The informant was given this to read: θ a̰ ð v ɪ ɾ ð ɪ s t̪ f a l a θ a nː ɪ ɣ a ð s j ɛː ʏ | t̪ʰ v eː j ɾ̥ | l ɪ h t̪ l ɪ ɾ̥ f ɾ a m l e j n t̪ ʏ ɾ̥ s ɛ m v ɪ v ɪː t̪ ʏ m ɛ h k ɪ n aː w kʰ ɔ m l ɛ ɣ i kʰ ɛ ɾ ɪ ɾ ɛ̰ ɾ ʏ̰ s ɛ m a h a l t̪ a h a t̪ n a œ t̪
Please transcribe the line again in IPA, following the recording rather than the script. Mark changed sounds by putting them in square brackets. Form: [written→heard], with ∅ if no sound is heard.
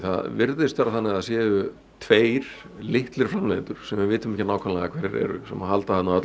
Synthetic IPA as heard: θ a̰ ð v ɪ ɾ ð ɪ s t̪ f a [l→ɾ] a θ a nː ɪ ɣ a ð s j ɛː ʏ | t̪ʰ v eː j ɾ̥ | l ɪ h t̪ l ɪ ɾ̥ f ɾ a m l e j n t̪ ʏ ɾ̥ s ɛ m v ɪ v ɪː t̪ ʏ m ɛ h [k→c] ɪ n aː w kʰ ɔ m l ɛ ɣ [i→a] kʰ ɛ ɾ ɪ ɾ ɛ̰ ɾ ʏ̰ s ɛ m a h a l t̪ a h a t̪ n a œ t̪